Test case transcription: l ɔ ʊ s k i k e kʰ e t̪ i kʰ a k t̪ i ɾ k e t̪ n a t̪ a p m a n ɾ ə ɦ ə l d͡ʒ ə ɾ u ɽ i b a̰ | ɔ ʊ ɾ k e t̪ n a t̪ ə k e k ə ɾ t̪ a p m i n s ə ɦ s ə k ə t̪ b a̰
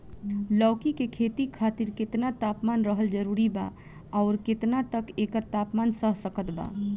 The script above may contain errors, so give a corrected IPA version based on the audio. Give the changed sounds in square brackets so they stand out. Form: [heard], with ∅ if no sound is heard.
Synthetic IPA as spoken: l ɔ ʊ [∅] k i k e kʰ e t̪ i kʰ a [∅] t̪ i ɾ k e t̪ n a t̪ a p m a n ɾ ə ɦ ə l d͡ʒ ə ɾ u [ɾ] i b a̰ | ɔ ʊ ɾ k e t̪ n a t̪ ə k e k ə ɾ t̪ a p m [a] n s ə ɦ s ə k ə t̪ b a̰